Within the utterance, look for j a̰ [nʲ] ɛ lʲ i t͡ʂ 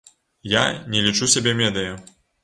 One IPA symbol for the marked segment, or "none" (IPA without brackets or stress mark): nʲ